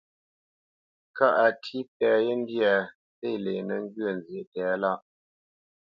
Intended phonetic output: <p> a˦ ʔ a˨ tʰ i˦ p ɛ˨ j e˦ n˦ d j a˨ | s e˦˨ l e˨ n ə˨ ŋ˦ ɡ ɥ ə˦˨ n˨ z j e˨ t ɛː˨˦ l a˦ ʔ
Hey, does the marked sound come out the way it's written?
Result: no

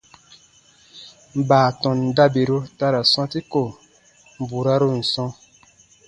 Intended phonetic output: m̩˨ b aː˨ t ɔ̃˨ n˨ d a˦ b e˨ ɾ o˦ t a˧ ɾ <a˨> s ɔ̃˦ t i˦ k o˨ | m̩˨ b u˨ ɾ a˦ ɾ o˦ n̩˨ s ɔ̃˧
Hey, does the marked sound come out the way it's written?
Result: yes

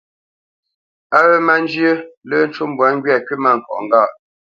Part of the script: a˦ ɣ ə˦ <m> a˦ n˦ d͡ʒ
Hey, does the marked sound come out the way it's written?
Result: yes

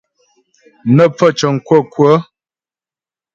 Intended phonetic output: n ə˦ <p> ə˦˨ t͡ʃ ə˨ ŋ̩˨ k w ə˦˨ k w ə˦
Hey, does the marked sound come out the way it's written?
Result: no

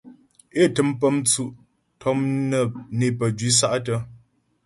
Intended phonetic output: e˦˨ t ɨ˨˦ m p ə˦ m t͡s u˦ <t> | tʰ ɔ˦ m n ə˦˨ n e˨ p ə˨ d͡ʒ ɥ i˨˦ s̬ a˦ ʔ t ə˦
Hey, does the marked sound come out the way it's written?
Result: no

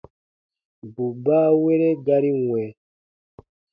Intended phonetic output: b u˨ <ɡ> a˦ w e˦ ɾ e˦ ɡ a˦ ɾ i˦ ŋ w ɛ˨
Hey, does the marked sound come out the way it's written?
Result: no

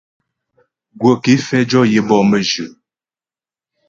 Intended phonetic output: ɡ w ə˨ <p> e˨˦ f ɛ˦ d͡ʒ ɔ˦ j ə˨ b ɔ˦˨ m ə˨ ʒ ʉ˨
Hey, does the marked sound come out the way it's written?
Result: no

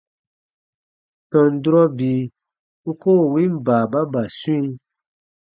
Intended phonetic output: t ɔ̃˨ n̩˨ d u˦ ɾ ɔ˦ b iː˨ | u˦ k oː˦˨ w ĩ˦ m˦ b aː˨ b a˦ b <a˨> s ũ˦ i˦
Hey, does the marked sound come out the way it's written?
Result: yes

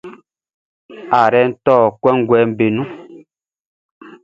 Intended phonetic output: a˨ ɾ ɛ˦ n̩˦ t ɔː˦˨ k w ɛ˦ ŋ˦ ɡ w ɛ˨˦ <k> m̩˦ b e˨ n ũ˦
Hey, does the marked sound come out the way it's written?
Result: no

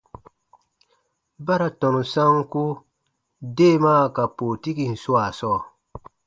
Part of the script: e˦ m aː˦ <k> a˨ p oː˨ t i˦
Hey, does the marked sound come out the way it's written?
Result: yes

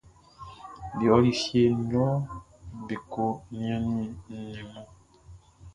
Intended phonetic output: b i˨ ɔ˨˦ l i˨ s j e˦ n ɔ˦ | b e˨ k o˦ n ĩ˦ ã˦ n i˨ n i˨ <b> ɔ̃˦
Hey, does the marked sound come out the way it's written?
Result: no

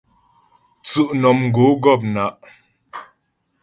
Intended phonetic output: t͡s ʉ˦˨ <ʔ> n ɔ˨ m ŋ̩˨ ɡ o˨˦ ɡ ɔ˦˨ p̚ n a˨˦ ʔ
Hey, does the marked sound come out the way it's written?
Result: yes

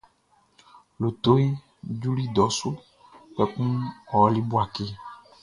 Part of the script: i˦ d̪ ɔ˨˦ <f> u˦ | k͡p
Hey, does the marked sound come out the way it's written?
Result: no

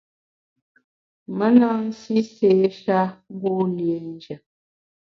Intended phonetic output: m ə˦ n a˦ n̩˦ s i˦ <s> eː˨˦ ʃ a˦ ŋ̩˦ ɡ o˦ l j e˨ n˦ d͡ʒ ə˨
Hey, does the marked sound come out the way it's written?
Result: yes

